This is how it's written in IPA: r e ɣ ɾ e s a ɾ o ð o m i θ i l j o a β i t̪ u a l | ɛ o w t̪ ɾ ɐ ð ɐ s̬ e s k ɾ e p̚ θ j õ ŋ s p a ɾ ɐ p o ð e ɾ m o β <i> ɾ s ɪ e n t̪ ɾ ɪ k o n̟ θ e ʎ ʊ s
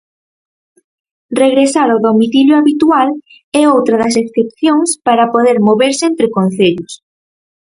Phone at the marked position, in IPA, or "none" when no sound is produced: e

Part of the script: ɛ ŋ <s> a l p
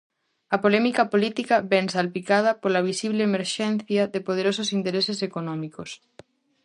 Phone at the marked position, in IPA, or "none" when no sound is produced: s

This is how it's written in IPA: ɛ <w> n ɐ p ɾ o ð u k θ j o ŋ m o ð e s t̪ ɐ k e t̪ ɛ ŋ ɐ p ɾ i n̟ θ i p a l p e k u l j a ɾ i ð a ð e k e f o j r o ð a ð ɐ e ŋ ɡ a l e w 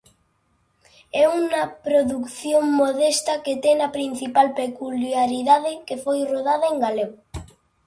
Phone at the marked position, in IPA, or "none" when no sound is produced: u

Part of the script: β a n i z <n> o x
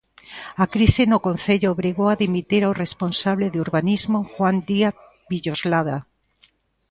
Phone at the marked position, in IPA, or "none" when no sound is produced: m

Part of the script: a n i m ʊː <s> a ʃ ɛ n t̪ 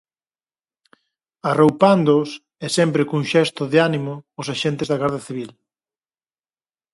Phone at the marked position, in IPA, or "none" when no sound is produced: s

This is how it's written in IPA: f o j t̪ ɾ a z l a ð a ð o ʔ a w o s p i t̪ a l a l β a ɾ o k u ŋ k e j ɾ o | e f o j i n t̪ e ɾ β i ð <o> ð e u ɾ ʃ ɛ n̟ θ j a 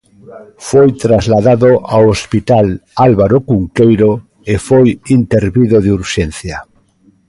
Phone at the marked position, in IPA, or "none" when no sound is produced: o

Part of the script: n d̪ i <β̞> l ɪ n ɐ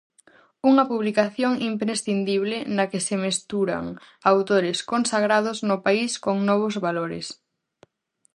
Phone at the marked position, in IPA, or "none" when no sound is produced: β̞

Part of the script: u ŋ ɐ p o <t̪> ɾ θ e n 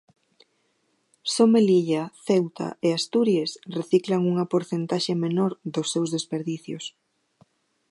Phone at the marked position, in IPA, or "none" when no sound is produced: none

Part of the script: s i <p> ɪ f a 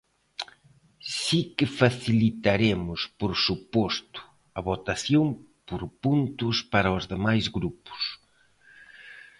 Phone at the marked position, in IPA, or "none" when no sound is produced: k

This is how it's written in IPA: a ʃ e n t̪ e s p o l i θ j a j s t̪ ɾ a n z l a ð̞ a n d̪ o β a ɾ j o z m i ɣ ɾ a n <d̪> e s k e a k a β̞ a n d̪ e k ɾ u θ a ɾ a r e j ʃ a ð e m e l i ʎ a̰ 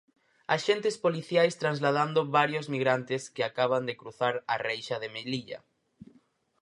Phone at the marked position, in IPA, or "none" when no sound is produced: t̪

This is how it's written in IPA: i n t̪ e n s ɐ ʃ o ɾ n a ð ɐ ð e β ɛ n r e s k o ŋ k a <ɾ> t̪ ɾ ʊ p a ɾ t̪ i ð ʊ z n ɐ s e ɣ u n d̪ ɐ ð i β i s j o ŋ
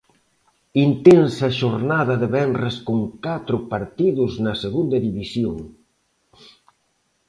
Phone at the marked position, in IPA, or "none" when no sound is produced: none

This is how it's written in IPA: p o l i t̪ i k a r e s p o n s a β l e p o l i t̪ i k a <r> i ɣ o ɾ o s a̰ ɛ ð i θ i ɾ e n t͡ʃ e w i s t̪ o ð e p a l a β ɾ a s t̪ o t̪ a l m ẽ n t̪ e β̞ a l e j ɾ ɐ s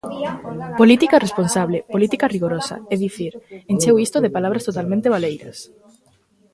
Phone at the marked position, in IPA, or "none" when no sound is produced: r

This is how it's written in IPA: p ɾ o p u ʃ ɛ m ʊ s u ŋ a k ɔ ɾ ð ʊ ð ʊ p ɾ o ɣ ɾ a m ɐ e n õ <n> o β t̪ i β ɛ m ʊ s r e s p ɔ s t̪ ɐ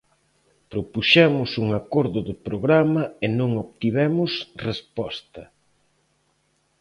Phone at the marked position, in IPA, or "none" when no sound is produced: ŋ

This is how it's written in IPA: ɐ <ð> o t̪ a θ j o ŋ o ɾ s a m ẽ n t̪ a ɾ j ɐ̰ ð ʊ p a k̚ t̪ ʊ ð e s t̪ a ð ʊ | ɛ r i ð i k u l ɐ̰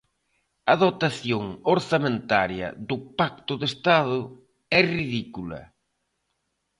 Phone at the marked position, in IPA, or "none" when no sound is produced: ð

